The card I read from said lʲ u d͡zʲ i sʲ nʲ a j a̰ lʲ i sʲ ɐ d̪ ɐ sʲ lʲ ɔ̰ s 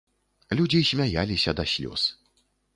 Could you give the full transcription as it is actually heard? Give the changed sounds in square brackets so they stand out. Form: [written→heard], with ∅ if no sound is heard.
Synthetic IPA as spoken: lʲ u d͡zʲ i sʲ [nʲ→mʲ] a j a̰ lʲ i sʲ ɐ d̪ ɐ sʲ lʲ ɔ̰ s